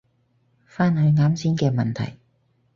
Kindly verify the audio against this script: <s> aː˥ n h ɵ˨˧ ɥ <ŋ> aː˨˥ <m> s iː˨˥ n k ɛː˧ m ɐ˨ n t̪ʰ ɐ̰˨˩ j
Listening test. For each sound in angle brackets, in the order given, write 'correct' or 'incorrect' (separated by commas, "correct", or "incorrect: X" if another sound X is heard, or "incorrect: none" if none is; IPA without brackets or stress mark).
incorrect: f, correct, correct